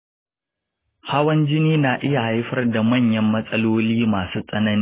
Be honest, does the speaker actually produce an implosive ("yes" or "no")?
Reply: no